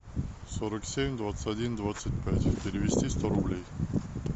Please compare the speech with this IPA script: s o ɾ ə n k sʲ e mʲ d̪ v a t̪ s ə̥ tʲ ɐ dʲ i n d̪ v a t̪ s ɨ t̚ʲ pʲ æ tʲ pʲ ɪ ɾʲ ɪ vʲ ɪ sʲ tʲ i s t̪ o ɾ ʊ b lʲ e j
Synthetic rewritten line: s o ɾ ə k sʲ e mʲ d̪ v a t̪ s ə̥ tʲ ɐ dʲ i n d̪ v a t̪ s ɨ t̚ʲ pʲ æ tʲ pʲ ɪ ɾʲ ɪ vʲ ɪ sʲ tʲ i s t̪ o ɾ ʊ b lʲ e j